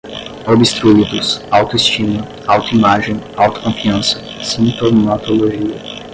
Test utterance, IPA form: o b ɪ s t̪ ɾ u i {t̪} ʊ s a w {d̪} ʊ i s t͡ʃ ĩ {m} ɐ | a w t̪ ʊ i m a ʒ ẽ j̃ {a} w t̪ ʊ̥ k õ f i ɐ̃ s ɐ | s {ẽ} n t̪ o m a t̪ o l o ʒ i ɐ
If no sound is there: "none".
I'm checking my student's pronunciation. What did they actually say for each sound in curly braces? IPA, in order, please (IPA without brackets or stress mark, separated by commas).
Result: d̪, t̪, m, a, ĩ